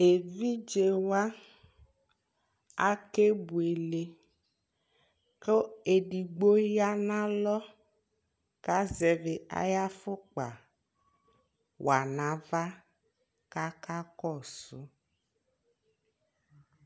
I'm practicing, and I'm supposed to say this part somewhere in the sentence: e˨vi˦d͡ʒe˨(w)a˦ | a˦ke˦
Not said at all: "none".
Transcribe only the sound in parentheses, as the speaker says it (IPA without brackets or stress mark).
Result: w